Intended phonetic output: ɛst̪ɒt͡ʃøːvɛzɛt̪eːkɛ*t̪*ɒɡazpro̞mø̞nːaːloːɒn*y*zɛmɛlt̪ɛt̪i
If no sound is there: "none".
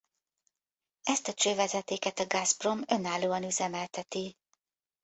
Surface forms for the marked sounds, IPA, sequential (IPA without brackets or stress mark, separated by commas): t̪, y